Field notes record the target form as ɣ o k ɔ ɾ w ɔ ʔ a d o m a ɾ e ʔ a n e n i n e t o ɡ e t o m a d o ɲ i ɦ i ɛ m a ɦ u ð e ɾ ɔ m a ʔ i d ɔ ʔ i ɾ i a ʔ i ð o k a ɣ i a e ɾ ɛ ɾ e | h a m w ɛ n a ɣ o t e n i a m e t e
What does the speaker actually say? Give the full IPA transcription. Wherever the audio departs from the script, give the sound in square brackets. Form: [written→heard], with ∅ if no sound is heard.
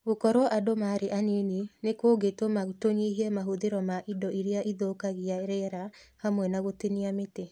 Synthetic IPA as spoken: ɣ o k ɔ ɾ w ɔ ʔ a d o m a ɾ e ʔ a n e n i n e [t→k] o ɡ e t o m a [d→t] o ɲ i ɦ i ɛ m a ɦ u ð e ɾ ɔ m a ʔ i d ɔ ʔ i ɾ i a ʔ i ð o k a ɣ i a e ɾ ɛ ɾ [e→a] | h a m w ɛ n a ɣ o t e n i a m e t e